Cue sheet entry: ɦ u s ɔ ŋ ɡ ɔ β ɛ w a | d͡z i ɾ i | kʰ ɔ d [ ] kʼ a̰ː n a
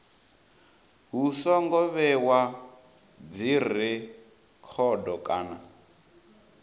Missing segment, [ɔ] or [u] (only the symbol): ɔ